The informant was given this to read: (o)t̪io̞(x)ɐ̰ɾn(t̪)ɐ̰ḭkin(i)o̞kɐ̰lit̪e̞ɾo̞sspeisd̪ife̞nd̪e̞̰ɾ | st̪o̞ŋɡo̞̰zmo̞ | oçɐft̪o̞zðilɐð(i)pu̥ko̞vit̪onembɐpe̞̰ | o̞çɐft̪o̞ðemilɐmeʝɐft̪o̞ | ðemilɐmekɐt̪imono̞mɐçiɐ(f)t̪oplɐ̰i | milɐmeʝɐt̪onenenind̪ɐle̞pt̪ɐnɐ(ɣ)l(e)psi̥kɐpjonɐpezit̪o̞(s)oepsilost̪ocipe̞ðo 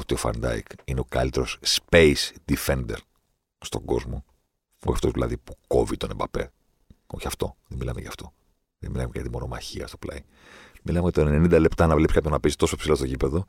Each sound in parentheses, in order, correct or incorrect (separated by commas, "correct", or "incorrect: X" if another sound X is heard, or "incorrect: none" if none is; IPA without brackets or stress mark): correct, incorrect: f, incorrect: d̪, incorrect: e, correct, incorrect: s, incorrect: v, correct, correct